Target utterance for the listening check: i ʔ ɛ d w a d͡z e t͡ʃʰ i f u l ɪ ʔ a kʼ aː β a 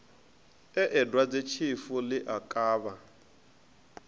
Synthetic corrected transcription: ɛ ʔ ɛ d w a d͡z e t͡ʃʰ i f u l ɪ ʔ a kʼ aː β a